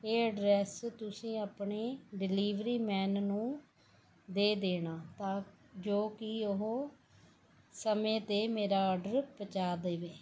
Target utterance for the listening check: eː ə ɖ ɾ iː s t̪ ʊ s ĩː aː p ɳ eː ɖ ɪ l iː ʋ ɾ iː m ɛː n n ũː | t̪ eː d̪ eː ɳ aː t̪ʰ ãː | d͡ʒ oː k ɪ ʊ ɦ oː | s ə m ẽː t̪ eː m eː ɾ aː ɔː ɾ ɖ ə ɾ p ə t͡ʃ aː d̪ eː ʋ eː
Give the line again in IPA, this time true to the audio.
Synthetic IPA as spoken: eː ə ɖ ɾ ɛː s t̪ ʊ s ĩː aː p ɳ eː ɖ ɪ l iː ʋ ɾ iː m ɛː n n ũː | d̪ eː d̪ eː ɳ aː t̪ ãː | d͡ʒ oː k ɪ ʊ ɦ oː | s ə m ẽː t̪ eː m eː ɾ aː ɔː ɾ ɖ ə ɾ p ə t͡ʃ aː d̪ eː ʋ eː

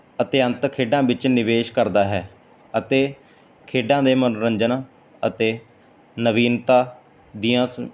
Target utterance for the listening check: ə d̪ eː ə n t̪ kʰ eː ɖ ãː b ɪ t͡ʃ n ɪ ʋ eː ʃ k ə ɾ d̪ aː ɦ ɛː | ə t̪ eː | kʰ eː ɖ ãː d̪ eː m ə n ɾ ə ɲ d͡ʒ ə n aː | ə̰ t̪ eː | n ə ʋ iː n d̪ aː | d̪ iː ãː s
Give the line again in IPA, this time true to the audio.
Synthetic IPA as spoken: ə t̪ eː ə n t̪ kʰ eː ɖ ãː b ɪ t͡ʃ n ɪ ʋ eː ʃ k ə ɾ d̪ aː ɦ ɛː | ə t̪ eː | kʰ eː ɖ ãː d̪ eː m ə n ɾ ə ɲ d͡ʒ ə n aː | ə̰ t̪ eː | n ə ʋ iː n t̪ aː | d̪ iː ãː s

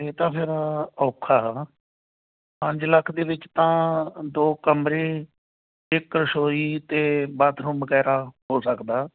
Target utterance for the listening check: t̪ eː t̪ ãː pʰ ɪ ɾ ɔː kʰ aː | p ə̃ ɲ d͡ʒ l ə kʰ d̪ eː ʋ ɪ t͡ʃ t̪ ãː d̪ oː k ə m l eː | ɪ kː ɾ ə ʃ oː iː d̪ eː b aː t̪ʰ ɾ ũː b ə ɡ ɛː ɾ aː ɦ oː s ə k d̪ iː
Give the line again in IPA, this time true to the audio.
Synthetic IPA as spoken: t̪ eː t̪ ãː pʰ ɪ ɾ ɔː kʰ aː | p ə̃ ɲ d͡ʒ l ə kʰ d̪ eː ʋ ɪ t͡ʃ t̪ ãː d̪ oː k ə m ɾ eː | ɪ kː ɾ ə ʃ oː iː t̪ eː b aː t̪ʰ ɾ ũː b ə ɡ ɛː ɾ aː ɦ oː s ə k d̪ aː

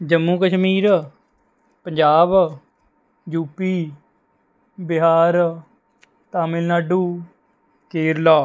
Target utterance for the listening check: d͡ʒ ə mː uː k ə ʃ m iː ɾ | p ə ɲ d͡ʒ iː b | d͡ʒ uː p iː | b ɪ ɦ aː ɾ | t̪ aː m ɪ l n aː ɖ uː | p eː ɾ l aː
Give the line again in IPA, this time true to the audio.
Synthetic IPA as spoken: d͡ʒ ə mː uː k ə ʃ m iː ɾ | p ə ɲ d͡ʒ aː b | d͡ʒ uː p iː | b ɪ ɦ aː ɾ | t̪ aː m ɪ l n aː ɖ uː | k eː ɾ l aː

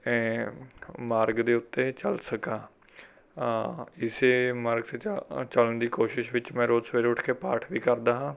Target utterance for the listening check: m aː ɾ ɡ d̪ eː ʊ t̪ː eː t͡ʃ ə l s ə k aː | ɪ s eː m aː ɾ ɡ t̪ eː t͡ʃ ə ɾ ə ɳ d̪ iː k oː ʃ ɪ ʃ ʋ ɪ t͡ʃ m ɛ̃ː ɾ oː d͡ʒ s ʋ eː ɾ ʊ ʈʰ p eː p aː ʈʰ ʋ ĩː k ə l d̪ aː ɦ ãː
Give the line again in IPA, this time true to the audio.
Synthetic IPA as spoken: m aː ɾ ɡ d̪ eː ʊ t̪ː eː t͡ʃ ə l s ə k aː | ɪ s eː m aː ɾ ɡ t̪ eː t͡ʃ ə l ə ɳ d̪ iː k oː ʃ ɪ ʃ ʋ ɪ t͡ʃ m ɛ̃ː ɾ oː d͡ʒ s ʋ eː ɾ ʊ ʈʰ k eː p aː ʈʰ ʋ iː k ə ɾ d̪ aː ɦ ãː

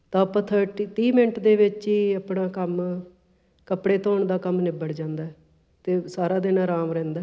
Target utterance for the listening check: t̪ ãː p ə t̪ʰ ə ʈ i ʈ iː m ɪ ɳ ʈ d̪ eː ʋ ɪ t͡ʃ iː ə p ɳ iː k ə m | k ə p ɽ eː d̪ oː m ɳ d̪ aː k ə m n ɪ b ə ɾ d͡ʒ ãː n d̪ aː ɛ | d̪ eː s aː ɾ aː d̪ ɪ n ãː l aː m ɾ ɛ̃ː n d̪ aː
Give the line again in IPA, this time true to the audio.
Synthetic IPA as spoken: t̪ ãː p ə t̪ʰ ə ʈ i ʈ iː m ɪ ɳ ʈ d̪ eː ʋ ɪ t͡ʃ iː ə p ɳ aː k ə m | k ə p ɽ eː t̪ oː ɳ d̪ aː k ə m n ɪ b ə ɽ d͡ʒ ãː n d̪ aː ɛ | t̪ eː s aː ɾ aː d̪ ɪ n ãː ɾ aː m ɾ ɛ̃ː n d̪ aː

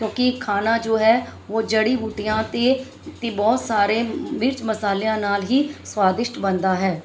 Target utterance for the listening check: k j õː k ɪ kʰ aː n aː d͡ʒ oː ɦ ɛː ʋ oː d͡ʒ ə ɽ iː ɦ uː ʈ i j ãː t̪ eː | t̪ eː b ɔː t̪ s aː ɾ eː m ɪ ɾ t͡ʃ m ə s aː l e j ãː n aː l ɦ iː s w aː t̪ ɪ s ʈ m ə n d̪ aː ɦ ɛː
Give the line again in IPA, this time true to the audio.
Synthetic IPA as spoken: k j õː k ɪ kʰ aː n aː d͡ʒ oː ɦ ɛː ʋ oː d͡ʒ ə ɽ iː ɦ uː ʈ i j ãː t̪ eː | t̪ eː b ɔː t̪ s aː ɾ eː m ɪ ɾ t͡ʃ m ə s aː l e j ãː n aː l ɦ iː s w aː d̪ ɪ ʃ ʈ b ə n d̪ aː ɦ ɛː

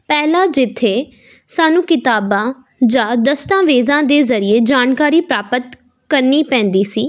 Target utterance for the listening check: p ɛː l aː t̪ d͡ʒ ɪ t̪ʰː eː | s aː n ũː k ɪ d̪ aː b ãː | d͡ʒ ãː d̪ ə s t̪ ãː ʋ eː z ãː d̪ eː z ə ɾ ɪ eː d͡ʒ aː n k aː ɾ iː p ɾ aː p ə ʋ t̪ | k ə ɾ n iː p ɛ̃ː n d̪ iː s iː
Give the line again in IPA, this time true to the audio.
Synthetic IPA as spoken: p ɛː l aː d͡ʒ ɪ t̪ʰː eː | s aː n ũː k ɪ t̪ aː b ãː | d͡ʒ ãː d̪ ə s t̪ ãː ʋ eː z ãː d̪ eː z ə ɾ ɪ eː d͡ʒ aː n k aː ɾ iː p ɾ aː p ə t̪ | k ə ɾ n iː p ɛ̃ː n d̪ iː s iː

